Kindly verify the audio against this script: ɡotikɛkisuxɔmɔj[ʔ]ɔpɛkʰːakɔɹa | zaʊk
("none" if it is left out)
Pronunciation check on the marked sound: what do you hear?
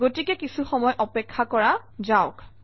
ʔ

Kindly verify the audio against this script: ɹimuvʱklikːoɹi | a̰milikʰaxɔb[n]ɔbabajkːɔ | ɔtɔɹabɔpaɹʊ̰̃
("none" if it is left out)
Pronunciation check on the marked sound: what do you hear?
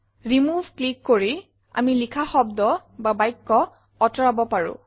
d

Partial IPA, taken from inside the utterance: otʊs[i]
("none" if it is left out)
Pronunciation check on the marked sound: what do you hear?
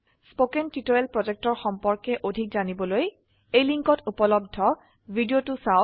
a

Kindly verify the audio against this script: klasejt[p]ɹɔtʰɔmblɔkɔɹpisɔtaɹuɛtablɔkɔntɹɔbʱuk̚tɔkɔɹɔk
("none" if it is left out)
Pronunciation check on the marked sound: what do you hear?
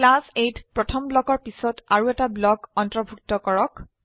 p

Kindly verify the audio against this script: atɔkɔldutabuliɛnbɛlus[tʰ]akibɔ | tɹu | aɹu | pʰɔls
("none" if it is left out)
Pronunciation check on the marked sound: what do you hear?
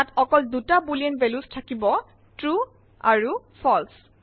tʰ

